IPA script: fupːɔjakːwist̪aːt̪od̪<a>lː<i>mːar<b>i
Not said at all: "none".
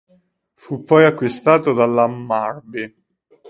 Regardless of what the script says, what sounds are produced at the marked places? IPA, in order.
a, a, b

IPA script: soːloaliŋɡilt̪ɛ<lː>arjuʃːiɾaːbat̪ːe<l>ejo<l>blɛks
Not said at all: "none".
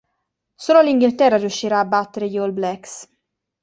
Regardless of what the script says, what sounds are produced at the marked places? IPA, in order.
rː, ɾ, l

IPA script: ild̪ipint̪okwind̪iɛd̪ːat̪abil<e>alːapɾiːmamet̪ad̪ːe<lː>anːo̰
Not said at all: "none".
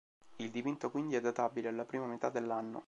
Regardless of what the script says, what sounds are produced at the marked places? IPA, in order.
e, lː

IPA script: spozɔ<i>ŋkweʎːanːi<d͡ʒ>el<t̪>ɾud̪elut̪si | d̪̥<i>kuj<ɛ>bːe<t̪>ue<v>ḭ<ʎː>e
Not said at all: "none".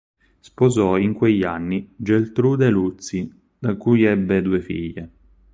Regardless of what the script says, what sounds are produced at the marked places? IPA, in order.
i, d͡ʒ, t̪, a, ɛ, d̪, f, ʎː

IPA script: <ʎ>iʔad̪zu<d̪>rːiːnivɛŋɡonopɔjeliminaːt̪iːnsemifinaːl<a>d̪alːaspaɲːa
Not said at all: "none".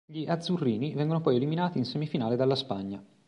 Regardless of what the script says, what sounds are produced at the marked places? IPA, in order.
ʎ, none, e

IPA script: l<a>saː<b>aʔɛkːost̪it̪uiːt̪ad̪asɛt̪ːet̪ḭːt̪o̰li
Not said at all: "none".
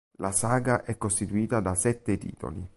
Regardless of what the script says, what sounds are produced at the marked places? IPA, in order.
a, ɡ

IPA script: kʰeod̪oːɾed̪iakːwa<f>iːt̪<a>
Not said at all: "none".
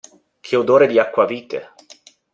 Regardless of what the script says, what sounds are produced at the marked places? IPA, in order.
v, e

